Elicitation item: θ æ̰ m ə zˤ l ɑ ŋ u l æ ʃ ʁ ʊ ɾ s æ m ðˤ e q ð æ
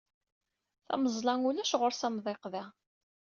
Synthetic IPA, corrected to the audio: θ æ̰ m ə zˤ l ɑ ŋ u l æ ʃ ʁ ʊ ɾ s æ m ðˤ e q ð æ